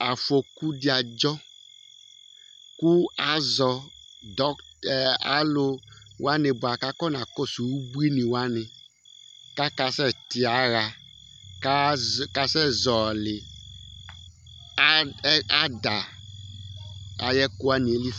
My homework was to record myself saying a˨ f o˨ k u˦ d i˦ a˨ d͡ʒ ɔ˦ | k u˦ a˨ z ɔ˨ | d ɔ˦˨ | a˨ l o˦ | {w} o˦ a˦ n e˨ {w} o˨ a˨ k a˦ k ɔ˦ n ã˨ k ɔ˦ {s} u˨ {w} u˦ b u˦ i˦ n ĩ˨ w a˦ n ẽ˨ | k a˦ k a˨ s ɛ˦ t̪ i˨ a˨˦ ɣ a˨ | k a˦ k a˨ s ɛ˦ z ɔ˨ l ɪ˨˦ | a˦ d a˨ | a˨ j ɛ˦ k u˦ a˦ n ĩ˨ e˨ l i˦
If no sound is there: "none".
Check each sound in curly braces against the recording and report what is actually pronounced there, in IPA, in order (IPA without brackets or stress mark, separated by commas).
w, b, s, w